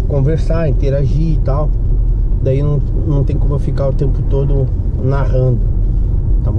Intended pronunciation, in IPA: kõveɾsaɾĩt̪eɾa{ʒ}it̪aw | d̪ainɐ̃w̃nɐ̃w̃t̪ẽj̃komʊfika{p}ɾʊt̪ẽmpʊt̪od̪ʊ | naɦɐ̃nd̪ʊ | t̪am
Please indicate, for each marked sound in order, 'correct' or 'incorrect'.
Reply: correct, incorrect: none

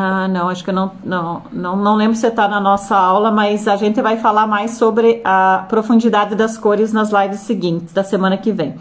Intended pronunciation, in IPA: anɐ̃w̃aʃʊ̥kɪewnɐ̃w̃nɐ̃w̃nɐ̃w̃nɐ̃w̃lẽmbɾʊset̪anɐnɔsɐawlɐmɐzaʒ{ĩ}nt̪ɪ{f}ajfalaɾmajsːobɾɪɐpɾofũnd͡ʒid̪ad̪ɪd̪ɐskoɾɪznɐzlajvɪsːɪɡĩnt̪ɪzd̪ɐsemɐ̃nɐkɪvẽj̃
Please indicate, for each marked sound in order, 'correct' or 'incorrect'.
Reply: incorrect: ẽ, incorrect: v

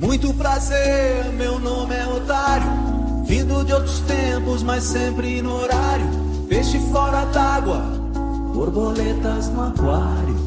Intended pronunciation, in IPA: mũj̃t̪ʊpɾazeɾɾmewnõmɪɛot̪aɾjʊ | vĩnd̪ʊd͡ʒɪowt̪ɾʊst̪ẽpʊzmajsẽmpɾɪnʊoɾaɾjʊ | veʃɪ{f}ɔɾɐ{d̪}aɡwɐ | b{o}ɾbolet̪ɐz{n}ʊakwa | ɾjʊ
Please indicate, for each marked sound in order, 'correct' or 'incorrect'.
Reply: correct, correct, correct, correct

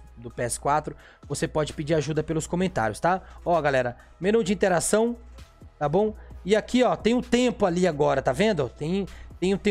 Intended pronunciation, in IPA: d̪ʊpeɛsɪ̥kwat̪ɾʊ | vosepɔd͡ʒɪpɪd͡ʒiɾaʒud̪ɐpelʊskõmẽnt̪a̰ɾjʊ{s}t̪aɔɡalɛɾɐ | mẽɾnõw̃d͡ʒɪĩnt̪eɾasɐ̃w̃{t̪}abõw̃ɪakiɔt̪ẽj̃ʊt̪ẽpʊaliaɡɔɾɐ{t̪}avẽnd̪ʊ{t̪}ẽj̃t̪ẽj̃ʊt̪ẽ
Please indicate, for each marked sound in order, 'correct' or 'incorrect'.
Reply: correct, correct, correct, correct

